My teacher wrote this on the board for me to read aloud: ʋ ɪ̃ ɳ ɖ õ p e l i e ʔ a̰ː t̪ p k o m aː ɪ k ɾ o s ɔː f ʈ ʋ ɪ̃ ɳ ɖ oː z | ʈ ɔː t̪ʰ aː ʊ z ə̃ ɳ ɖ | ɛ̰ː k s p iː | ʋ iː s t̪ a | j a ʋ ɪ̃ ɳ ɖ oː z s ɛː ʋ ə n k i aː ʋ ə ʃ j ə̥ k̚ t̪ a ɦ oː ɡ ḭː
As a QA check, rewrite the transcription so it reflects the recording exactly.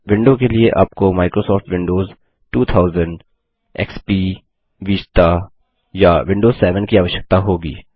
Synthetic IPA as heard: ʋ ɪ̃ ɳ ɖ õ k e l i e ʔ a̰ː p k o m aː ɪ k ɾ o s ɔː f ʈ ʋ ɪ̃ ɳ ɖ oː z | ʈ uː t̪ʰ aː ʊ z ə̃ ɳ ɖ | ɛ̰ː k s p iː | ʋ iː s t̪ a | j a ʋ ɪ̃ ɳ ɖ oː z s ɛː ʋ ə n k i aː ʋ ə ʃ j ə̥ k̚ t̪ a ɦ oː ɡ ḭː